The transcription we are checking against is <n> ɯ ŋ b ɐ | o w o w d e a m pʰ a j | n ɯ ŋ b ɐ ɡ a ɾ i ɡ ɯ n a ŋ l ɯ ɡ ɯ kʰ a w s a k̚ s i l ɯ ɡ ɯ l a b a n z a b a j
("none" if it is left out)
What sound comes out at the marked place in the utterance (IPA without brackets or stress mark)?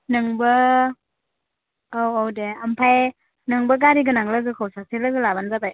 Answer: n